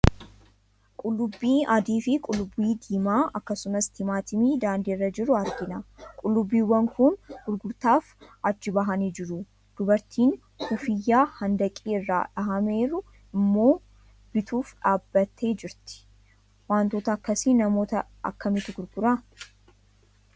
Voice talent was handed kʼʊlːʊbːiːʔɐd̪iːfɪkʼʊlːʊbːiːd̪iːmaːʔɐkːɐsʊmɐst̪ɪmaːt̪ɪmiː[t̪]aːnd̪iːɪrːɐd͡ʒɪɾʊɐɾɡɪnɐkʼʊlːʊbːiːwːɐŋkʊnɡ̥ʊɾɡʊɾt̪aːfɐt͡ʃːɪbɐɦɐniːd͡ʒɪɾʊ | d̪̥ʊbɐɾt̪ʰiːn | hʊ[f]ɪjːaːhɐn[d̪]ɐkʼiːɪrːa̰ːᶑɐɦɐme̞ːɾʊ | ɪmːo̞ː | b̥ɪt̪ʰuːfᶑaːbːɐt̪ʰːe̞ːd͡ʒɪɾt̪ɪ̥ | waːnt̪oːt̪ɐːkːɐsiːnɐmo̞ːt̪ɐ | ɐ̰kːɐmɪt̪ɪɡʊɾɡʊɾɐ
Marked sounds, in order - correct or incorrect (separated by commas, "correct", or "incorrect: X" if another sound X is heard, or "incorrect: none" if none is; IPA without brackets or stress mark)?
incorrect: d̪, correct, correct